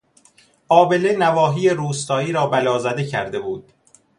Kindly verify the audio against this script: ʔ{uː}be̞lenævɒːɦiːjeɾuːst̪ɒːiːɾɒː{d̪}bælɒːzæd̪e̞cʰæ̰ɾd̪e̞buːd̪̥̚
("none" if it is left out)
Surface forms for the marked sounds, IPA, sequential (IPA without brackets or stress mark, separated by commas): ɒː, none